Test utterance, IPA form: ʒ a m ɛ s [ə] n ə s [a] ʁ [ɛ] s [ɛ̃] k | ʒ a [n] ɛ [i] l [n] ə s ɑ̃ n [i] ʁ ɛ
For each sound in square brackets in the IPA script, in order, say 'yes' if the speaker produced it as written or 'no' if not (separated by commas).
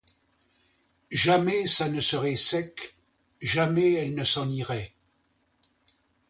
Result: no, no, yes, no, no, no, yes, yes